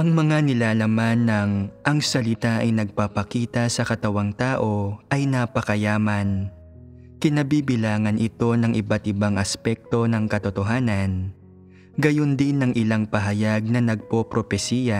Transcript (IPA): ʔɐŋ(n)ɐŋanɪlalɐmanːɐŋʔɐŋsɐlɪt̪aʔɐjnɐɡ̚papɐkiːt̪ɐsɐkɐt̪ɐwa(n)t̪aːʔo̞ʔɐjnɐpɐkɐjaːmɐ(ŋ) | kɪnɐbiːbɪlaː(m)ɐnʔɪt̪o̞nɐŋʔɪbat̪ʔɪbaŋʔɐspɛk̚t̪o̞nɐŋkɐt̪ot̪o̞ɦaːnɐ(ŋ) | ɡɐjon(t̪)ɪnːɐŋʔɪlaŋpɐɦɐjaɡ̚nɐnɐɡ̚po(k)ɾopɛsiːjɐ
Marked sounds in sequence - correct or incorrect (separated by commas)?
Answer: incorrect, incorrect, incorrect, incorrect, incorrect, incorrect, incorrect